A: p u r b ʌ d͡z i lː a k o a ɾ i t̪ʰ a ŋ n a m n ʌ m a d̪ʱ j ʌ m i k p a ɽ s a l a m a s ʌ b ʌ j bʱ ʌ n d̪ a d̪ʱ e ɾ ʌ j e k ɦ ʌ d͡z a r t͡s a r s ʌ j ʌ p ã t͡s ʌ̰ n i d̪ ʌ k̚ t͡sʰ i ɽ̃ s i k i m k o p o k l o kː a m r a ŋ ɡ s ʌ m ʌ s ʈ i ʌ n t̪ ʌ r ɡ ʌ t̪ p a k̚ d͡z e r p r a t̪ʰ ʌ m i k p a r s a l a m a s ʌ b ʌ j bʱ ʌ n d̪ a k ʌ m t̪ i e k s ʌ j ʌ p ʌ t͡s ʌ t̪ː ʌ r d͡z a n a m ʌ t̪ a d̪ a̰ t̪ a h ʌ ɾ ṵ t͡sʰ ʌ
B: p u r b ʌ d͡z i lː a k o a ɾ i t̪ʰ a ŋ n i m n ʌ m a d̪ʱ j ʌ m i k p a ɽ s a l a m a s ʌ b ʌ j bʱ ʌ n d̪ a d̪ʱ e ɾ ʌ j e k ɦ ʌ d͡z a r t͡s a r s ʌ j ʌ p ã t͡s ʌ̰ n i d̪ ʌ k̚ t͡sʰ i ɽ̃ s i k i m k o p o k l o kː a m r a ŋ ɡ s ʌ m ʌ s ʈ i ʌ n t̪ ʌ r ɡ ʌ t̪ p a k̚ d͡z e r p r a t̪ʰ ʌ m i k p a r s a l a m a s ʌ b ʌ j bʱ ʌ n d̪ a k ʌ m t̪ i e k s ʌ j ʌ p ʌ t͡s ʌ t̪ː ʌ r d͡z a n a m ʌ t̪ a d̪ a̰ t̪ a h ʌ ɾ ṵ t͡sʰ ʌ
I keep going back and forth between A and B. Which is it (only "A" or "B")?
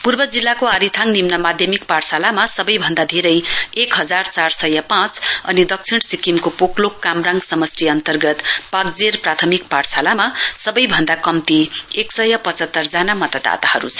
B